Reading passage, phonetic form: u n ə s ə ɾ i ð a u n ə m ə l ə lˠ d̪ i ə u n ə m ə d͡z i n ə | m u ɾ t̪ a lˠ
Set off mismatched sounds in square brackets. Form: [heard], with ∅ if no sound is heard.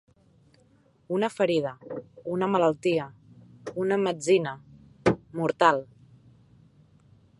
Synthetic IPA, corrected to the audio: u n ə [f] ə ɾ i ð [ə] u n ə m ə l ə lˠ [t̪] i ə u n ə m ə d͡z i n ə | m u ɾ t̪ a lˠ